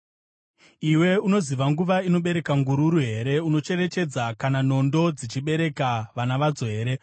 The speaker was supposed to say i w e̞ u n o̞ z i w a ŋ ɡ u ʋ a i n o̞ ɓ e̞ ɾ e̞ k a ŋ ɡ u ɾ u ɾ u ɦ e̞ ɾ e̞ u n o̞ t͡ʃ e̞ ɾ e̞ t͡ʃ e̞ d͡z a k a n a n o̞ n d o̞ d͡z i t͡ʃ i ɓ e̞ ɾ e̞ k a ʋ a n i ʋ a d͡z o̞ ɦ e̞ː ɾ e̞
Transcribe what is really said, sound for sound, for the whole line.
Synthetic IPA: i w e̞ u n o̞ z i ʋ a ŋ ɡ u ʋ a i n o̞ ɓ e̞ ɾ e̞ k a ŋ ɡ u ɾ u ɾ u ɦ e̞ ɾ e̞ u n o̞ t͡ʃ e̞ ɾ e̞ t͡ʃ e̞ d͡z a k a n a n o̞ n d o̞ d͡z i t͡ʃ i ɓ e̞ ɾ e̞ k a ʋ a n a ʋ a d͡z o̞ ɦ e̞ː ɾ e̞